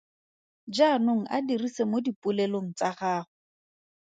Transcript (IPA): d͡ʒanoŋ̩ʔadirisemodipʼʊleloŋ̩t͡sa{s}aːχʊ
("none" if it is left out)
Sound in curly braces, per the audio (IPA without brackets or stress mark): χ